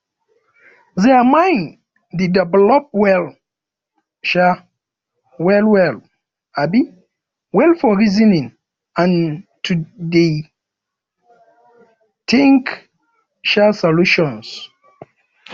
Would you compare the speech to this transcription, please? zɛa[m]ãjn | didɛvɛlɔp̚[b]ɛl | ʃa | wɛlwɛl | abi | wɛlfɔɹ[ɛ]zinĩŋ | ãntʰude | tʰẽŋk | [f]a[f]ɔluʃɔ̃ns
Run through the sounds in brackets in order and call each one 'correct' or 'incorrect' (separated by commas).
correct, incorrect, incorrect, incorrect, incorrect